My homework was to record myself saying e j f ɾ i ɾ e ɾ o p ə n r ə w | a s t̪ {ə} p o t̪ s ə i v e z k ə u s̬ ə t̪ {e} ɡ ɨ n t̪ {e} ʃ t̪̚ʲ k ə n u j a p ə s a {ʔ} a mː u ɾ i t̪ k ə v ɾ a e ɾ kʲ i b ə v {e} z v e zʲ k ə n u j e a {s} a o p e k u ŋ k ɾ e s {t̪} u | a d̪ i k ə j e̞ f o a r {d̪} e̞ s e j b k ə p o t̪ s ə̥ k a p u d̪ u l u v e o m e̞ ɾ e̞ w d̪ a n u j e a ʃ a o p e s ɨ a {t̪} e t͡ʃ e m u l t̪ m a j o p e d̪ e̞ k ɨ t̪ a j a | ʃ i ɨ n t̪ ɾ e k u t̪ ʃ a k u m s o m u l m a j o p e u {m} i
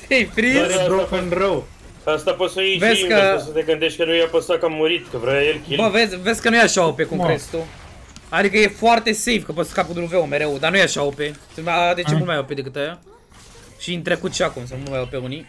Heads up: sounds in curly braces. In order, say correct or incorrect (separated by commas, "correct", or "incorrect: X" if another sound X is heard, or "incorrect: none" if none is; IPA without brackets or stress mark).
incorrect: a, correct, correct, incorrect: k, correct, incorrect: ʃ, correct, incorrect: t̪, incorrect: d̪, incorrect: n